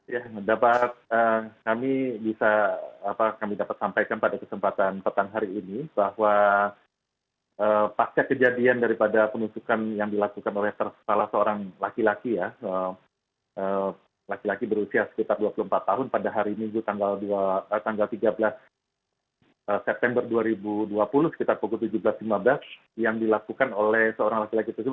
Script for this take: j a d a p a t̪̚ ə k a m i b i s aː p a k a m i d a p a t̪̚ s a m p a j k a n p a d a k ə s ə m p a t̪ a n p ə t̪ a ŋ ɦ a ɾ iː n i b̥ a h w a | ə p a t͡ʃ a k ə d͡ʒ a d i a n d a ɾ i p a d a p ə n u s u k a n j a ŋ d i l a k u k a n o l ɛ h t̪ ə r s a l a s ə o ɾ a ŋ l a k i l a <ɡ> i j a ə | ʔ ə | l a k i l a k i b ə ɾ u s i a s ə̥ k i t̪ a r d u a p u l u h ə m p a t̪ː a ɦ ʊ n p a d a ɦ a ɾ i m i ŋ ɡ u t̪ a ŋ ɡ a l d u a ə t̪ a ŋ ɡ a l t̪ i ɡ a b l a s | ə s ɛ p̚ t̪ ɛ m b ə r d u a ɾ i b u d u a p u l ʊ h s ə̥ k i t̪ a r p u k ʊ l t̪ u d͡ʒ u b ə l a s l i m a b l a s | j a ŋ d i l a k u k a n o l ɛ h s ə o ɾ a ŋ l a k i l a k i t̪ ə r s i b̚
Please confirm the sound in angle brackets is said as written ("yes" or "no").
no